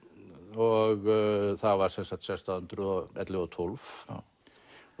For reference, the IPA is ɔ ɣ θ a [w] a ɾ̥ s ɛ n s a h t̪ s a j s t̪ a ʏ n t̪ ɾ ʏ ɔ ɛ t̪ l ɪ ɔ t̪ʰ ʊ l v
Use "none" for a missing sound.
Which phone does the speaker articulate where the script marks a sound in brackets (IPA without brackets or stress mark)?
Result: v